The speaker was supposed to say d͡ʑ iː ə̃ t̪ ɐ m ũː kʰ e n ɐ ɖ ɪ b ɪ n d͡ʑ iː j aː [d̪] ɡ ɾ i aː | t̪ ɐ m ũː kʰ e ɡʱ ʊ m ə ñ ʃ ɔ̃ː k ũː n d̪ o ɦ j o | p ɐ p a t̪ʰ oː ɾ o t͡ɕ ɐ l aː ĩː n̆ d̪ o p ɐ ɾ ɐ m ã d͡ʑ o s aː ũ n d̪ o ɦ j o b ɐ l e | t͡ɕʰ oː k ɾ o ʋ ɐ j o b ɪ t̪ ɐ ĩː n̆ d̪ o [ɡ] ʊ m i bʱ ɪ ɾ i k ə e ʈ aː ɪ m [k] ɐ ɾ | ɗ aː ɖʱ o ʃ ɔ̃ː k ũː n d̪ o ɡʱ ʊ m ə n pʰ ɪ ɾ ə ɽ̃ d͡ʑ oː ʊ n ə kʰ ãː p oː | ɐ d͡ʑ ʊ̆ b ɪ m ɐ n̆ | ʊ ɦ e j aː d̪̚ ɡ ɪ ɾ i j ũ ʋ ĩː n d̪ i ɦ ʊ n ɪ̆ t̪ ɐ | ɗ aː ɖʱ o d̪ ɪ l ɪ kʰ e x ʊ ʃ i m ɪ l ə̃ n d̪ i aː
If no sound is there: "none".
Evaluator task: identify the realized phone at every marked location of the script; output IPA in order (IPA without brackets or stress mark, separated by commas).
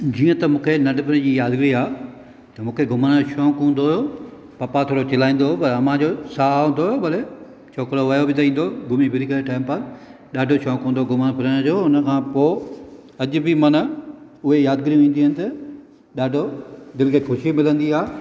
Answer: d̪, ɡ, p